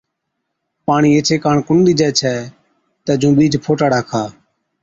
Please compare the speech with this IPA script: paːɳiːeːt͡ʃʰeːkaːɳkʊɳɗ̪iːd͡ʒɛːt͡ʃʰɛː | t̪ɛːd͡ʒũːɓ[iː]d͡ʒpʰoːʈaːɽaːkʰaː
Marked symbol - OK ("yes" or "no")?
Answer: yes